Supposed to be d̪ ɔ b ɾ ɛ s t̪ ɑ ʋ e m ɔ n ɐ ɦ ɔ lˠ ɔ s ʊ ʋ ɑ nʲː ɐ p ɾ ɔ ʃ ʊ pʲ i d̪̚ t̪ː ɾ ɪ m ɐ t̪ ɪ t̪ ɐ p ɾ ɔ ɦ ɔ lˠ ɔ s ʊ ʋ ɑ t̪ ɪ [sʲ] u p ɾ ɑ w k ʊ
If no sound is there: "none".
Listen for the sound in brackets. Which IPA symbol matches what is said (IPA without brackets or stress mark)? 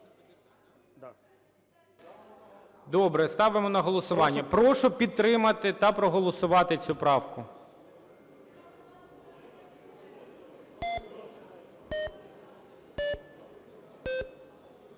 t͡sʲ